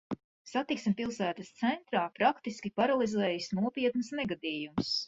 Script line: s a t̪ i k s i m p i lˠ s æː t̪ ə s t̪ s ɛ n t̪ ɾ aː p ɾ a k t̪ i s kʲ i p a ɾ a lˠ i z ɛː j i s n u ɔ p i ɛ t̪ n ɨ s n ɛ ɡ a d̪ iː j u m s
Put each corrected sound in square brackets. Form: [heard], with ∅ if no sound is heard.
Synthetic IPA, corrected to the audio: s a t̪ i k s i m p i lˠ s æː t̪ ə s t̪ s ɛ n t̪ ɾ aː p ɾ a k t̪ i s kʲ i p a ɾ a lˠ i z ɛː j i s n u ɔ p i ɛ t̪ n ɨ s n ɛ ɡ a d̪ iː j u m s